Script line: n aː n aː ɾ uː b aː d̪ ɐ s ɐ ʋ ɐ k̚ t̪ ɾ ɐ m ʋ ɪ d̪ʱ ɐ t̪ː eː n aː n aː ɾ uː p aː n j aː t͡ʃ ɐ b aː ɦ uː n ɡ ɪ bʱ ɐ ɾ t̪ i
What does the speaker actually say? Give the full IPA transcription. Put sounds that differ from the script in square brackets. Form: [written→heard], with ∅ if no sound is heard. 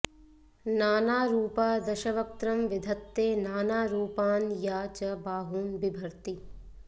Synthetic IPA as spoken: n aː n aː ɾ uː [b→p] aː d̪ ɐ [s→ʃ] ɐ ʋ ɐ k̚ t̪ ɾ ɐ m ʋ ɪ d̪ʱ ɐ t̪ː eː n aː n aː ɾ uː p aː n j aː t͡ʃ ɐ b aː ɦ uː n [ɡ→b] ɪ bʱ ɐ ɾ t̪ i